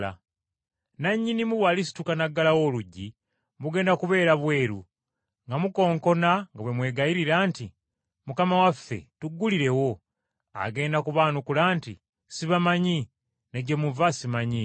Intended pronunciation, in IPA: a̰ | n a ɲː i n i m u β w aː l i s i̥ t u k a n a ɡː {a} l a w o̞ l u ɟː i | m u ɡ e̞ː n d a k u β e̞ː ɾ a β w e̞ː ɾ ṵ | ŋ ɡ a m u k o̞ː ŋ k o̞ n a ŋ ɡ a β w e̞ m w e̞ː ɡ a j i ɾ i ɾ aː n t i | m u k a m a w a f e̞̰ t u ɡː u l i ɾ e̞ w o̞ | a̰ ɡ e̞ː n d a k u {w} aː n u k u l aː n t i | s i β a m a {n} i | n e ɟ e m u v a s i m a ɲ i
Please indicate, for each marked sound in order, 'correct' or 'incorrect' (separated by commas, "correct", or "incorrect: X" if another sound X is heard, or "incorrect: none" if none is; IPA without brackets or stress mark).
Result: correct, incorrect: β, incorrect: ɲ